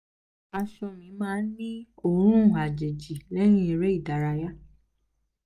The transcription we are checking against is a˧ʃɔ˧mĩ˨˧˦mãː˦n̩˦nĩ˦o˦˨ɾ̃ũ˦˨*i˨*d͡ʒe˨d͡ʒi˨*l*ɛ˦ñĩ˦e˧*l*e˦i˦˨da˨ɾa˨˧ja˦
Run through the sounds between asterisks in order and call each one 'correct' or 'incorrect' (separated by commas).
incorrect, correct, incorrect